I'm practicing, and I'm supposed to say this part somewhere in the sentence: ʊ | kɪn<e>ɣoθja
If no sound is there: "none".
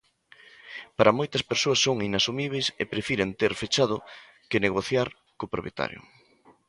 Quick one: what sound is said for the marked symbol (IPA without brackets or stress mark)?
e